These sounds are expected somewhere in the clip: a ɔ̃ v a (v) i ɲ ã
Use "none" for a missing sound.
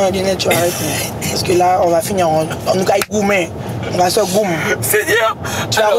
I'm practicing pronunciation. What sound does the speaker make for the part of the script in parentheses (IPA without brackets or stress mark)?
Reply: f